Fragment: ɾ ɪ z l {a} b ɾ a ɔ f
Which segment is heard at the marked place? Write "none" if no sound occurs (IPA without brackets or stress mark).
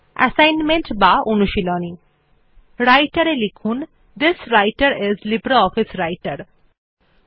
i